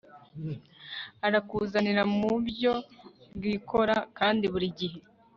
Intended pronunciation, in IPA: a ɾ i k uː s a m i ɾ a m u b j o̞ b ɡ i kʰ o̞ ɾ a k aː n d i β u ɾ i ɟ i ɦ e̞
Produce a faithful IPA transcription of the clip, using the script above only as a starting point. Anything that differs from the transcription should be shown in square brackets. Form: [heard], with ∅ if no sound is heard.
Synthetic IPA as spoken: a ɾ [a] k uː [z] a [n] i ɾ a m u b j o̞ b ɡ i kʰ o̞ ɾ a k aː n d i β u ɾ i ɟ i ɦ e̞